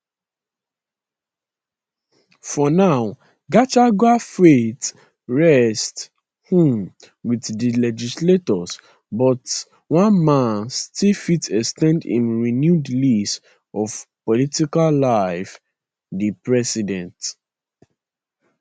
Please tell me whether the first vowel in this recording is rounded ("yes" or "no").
yes